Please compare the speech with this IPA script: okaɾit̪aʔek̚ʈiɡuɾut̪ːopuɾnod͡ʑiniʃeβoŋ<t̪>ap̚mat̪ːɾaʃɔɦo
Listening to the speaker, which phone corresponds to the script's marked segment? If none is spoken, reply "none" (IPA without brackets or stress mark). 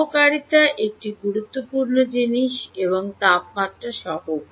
t̪